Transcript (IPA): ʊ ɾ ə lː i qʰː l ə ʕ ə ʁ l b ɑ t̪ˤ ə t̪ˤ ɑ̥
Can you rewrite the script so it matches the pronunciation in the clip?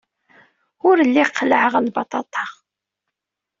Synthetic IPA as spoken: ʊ ɾ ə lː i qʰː l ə ʕ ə ʁ l b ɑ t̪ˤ ɑ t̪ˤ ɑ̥